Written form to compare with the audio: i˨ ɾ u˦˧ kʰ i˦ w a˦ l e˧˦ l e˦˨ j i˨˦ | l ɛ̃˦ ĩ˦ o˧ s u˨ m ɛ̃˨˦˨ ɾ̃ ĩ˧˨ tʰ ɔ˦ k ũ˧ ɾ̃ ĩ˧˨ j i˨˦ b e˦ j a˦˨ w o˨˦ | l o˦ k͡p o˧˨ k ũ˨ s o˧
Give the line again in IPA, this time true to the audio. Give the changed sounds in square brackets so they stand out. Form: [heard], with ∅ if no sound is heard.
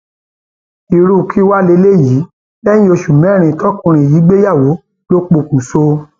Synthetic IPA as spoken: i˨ ɾ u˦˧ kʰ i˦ w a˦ l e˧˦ l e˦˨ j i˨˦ | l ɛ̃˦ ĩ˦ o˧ [ʃ] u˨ m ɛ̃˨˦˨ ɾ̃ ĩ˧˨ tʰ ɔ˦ k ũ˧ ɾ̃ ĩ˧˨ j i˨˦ [ɡ͡b] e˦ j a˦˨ w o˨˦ | l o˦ k͡p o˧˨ k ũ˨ s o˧